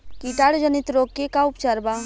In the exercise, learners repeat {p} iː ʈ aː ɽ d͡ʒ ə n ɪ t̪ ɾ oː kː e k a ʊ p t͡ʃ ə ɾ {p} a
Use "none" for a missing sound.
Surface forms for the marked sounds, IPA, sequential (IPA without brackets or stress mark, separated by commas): k, b